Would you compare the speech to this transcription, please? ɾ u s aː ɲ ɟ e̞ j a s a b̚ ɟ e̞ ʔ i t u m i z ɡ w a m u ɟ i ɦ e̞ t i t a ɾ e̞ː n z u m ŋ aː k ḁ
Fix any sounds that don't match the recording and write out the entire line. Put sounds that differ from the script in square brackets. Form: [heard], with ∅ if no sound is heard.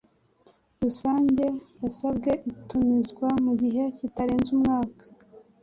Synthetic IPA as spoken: ɾ u s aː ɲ ɟ e̞ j a s a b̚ [ɡ] e̞ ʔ i t u m i z ɡ w a m u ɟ i ɦ e̞ [c] i t a ɾ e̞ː n z u m ŋ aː k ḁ